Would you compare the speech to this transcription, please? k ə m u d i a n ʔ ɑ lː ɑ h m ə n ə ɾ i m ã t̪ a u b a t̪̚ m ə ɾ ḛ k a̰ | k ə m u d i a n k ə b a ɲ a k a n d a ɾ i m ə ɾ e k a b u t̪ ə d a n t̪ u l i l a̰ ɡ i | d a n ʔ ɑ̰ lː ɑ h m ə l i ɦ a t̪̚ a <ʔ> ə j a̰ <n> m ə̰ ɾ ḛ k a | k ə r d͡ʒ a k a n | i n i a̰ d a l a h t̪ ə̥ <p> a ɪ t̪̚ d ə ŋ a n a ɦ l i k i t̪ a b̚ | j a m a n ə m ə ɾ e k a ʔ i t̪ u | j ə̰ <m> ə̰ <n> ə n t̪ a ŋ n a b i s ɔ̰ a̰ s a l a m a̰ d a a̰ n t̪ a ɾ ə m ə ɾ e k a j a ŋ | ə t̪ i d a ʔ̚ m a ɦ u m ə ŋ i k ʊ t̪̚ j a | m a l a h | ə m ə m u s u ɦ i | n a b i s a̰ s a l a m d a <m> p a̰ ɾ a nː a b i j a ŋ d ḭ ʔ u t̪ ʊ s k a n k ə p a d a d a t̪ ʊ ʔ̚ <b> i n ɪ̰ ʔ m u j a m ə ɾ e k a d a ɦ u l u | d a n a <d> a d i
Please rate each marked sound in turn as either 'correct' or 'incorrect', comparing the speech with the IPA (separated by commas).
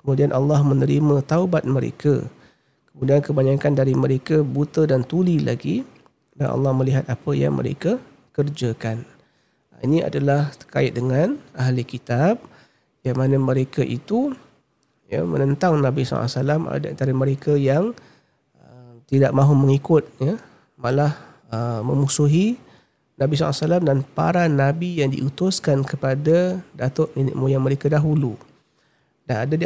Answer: incorrect, incorrect, incorrect, correct, correct, incorrect, incorrect, correct